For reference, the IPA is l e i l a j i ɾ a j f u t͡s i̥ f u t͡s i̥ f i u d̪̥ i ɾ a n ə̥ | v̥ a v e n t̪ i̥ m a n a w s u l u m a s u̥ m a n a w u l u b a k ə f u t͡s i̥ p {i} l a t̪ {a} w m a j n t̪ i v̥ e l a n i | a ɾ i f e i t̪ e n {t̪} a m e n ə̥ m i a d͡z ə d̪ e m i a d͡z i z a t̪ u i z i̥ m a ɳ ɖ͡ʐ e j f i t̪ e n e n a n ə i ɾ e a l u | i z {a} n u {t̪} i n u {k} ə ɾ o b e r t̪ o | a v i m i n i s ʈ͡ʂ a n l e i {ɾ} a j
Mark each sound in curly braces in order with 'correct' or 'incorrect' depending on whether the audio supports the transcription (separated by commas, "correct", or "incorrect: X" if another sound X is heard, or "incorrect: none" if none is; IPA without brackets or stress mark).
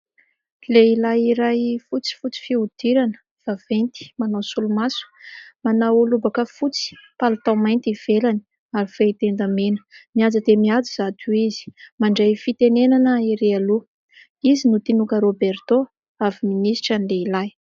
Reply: incorrect: a, correct, incorrect: d̪, incorrect: i, correct, correct, incorrect: l